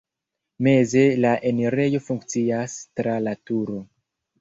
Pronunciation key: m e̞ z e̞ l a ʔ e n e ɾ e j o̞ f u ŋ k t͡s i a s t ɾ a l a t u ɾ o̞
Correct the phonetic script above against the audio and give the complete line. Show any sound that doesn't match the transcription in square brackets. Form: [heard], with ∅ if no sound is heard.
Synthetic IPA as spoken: m e̞ z e̞ l a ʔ e n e ɾ e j o̞ f u ŋ k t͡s i a s t ɾ a l a t u ɾ o̞